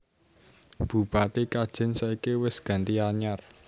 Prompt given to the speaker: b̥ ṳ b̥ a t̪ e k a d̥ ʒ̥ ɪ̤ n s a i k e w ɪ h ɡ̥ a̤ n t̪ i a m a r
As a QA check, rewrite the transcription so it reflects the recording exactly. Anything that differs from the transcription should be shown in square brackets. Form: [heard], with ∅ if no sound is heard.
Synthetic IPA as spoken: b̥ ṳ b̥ a t̪ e k a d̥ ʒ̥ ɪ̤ n s a i k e w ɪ [s] ɡ̥ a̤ n t̪ i a [ɲ] a r